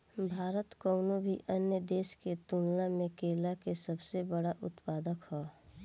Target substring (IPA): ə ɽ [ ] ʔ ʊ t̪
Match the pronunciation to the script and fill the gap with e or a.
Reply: a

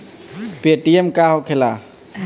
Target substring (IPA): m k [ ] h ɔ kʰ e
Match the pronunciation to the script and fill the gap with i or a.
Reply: a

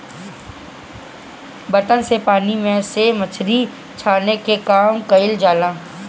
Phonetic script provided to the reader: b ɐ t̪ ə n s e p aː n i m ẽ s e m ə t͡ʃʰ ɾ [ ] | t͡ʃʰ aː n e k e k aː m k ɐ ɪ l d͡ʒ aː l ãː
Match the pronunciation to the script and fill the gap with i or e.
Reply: i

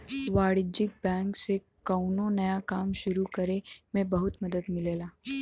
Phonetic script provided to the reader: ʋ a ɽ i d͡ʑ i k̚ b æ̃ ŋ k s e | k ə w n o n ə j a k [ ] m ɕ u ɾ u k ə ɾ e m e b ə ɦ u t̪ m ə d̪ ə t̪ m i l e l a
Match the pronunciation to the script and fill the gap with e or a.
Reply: a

